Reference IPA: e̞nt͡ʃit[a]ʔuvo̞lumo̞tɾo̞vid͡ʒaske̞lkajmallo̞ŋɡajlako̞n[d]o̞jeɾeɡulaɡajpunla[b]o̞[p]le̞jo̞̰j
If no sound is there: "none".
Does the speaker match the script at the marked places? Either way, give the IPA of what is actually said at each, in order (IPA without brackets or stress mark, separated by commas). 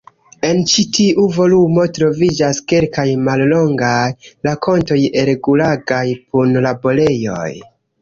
i, t, b, none